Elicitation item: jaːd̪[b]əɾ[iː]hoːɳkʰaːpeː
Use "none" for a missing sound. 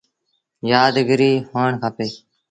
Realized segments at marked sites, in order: ɡ, iː

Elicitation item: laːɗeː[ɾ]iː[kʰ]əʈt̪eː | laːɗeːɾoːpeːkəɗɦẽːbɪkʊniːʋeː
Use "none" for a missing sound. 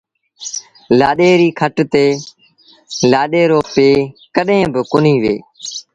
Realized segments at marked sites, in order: ɾ, kʰ

